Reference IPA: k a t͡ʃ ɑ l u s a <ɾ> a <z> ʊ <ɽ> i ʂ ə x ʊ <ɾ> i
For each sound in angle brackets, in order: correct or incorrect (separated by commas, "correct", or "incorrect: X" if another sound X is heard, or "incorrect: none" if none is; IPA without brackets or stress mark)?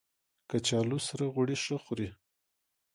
correct, incorrect: ɣ, correct, correct